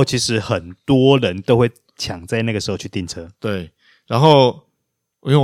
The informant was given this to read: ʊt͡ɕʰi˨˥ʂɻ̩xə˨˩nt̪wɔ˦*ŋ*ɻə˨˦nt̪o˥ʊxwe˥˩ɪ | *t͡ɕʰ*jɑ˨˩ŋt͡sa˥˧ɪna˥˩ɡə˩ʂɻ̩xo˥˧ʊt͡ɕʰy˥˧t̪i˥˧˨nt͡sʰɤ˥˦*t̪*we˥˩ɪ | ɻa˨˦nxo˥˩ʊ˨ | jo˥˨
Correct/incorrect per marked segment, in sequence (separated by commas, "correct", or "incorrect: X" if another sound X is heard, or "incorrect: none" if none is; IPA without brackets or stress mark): incorrect: none, correct, correct